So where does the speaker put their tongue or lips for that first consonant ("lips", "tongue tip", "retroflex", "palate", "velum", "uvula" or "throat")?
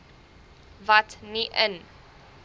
lips